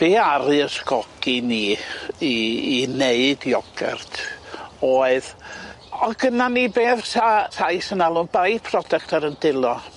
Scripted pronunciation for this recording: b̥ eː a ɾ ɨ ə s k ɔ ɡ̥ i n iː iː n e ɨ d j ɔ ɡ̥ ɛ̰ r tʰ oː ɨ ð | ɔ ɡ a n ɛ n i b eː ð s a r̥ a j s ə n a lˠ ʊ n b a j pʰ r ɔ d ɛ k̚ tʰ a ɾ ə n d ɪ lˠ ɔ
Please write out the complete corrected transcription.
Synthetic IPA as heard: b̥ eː a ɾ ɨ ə s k ɔ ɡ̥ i n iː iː n e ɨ d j ɔ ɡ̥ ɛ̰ r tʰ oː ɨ ð | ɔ ɡ ə n a n i b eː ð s a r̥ a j s ə n a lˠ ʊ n b a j pʰ r ɔ d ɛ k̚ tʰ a ɾ ə n d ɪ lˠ ɔ

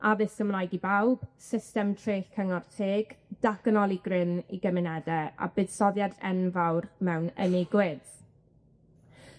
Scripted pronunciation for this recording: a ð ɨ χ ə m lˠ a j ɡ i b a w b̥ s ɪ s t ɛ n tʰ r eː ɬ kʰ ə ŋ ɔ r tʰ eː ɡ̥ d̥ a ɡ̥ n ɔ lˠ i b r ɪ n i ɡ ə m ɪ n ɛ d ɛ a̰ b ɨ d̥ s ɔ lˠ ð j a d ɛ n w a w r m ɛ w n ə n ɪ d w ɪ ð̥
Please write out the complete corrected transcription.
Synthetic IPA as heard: a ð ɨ s ə m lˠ a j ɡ i b a w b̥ s ɪ s t ɛ m tʰ r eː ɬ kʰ ə ŋ ɔ r tʰ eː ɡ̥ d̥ a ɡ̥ n ɔ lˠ i ɡ r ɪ n i ɡ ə m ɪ n ɛ d ɛ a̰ b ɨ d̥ s ɔ ð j a d ɛ n v a w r m ɛ w n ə n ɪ ɡ w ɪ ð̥

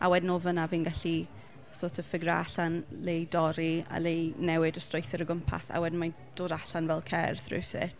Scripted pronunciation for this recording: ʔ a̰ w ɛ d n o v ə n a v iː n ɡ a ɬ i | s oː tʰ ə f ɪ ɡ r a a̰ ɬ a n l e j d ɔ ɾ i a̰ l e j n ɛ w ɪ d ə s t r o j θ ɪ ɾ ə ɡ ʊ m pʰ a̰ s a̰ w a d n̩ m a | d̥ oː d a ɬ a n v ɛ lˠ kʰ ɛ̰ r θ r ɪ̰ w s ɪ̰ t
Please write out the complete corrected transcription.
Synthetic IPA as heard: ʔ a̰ w ɛ d n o v ə n a v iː n ɡ a ɬ i | s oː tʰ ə f ɪ ɡ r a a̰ ɬ a n l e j d ɔ ɾ i a̰ l e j n ɛ w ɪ d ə s t r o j θ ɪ ɾ ə ɡ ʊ m pʰ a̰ s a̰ w ɛ d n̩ m a | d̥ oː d a ɬ a n v ɛ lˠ kʰ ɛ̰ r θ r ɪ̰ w s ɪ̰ t

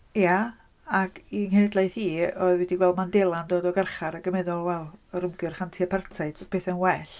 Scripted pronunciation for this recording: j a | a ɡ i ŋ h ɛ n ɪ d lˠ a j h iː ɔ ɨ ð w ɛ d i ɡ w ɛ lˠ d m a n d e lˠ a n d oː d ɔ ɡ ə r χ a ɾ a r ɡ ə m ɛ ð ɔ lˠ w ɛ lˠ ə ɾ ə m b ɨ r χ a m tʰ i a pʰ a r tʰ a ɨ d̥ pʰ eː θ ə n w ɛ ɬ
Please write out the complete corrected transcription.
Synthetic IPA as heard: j a | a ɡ i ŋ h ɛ n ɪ d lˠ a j θ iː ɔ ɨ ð w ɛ d i ɡ w ɛ lˠ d m a n d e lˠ a n d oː d ɔ ɡ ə r χ a ɾ a ɡ ə m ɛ ð ɔ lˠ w ɛ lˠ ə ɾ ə m ɡ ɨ r χ a n tʰ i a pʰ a r tʰ a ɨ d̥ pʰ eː θ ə n w ɛ ɬ

